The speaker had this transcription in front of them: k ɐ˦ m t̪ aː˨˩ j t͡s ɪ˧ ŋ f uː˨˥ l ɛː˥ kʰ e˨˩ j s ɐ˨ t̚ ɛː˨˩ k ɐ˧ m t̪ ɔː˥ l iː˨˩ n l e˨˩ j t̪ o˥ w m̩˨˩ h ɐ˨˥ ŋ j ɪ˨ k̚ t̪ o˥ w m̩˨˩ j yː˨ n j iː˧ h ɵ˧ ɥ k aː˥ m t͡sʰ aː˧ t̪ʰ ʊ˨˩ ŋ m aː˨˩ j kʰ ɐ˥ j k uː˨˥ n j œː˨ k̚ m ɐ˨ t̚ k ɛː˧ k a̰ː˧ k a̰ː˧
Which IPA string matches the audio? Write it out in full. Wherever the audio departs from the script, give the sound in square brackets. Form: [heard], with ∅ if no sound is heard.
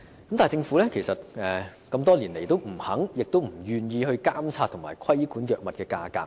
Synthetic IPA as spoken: k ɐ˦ m t̪ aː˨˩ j t͡s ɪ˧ ŋ f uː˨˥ l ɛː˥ kʰ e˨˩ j s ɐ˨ t̚ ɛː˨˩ k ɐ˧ m t̪ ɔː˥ l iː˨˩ n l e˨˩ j t̪ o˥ w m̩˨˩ h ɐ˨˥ ŋ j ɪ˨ k̚ t̪ o˥ w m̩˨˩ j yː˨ n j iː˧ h ɵ˧ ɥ k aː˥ m t͡sʰ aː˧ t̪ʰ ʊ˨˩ ŋ m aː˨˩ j kʰ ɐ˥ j k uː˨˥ n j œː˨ k̚ m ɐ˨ t̚ k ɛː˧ k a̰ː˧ k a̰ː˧